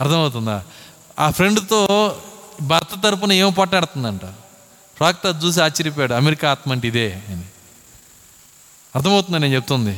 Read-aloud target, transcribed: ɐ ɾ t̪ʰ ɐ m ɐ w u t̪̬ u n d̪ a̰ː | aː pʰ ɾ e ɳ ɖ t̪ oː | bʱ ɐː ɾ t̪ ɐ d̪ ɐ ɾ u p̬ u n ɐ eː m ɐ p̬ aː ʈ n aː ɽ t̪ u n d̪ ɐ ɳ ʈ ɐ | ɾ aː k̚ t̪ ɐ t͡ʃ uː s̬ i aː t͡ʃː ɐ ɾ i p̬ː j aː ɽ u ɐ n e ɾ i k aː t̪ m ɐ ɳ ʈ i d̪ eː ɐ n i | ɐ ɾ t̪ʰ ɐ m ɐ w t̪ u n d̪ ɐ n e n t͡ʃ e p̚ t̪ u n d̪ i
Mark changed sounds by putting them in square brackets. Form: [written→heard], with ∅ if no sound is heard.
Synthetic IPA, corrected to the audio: ɐ ɾ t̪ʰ ɐ m ɐ w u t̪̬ u n d̪ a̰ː | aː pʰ ɾ e ɳ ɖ t̪ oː | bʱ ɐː ɾ t̪ ɐ [d̪→t̪] ɐ ɾ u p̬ u n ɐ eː m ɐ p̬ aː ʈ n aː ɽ t̪ u n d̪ ɐ ɳ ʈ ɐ | ɾ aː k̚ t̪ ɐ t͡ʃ uː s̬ i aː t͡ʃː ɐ ɾ i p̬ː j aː ɽ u ɐ [n→m] e ɾ i k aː t̪ m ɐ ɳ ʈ i d̪ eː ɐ n i | ɐ ɾ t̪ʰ ɐ m ɐ w t̪ u n d̪ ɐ n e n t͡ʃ e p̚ t̪ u n d̪ i